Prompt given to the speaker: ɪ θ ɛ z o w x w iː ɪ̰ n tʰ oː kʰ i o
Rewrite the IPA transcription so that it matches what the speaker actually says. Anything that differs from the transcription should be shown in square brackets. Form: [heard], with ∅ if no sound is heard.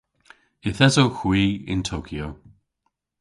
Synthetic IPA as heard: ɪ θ ɛ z o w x w iː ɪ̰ n tʰ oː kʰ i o